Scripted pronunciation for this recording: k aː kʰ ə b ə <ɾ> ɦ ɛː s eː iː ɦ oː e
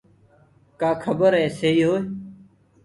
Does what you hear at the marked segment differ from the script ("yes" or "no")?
no